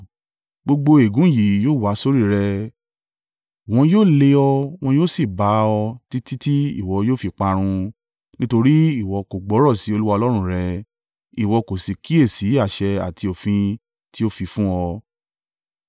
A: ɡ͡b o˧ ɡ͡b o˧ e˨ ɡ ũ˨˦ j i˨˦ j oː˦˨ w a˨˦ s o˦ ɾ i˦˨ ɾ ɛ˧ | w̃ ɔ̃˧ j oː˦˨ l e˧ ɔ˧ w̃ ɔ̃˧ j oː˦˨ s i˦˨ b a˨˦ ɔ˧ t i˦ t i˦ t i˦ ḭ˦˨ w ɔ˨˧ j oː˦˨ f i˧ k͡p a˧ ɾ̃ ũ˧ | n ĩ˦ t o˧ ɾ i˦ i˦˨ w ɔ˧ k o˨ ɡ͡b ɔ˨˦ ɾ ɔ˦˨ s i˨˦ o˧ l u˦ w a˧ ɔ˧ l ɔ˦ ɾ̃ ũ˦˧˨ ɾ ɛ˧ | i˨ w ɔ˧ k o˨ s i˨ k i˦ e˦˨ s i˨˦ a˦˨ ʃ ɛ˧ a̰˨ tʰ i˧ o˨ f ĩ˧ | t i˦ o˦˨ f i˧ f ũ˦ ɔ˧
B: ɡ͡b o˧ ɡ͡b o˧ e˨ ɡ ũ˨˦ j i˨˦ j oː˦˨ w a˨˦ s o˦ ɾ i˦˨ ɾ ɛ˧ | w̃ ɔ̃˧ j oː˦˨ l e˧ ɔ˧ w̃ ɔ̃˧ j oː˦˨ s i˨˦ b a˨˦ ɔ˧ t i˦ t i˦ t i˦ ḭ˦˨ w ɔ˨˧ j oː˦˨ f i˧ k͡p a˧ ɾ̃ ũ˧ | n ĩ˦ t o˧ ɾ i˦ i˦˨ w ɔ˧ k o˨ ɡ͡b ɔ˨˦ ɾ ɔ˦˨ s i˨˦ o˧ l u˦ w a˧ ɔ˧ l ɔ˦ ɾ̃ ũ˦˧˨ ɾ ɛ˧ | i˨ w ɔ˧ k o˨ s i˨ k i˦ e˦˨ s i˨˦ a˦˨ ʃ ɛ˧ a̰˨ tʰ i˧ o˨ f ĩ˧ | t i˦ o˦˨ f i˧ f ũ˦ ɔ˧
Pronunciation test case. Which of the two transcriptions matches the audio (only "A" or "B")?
A